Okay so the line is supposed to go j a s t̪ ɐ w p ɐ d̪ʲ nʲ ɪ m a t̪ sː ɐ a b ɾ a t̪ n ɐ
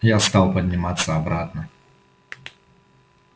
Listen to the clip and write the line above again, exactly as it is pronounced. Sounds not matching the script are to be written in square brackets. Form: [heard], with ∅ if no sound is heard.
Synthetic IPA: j a s t̪ [a] w p ɐ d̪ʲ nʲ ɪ m a t̪ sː ɐ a b ɾ a t̪ n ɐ